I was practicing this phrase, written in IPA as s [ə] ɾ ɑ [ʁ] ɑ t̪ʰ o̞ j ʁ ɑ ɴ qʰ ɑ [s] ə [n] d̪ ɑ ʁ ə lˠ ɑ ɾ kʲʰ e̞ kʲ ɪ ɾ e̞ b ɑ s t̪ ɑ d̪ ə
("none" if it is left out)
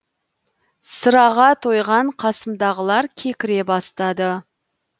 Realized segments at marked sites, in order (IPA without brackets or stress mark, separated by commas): ə, ʁ, s, m